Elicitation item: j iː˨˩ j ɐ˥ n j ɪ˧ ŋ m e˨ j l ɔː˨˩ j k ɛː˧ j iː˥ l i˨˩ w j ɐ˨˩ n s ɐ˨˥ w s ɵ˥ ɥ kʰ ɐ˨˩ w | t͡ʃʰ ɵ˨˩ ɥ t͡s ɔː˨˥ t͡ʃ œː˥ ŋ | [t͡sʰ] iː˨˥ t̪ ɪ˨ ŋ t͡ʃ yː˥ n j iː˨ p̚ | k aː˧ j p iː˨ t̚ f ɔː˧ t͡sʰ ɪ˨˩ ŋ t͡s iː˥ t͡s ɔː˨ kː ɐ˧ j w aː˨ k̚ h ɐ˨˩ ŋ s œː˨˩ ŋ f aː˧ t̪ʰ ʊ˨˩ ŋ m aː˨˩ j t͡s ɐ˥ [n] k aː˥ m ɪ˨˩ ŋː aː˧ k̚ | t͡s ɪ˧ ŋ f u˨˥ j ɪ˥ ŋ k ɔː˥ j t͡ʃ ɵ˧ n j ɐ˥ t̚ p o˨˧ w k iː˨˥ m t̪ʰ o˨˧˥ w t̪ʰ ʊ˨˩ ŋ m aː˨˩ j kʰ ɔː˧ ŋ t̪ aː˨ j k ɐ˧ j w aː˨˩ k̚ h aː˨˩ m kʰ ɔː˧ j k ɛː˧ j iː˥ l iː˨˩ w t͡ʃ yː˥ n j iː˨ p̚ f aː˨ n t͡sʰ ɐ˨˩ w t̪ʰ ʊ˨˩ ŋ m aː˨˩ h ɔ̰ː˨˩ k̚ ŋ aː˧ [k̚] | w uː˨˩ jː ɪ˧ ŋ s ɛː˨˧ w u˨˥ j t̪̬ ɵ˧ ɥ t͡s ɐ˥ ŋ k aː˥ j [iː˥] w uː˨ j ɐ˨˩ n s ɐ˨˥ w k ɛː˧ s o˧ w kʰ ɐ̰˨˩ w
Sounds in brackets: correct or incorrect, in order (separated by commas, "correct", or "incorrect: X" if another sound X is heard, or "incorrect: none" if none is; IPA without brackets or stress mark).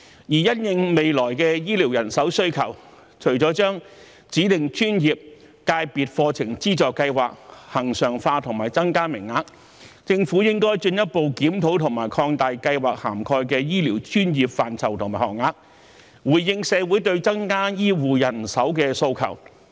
incorrect: t͡s, incorrect: ŋ, correct, correct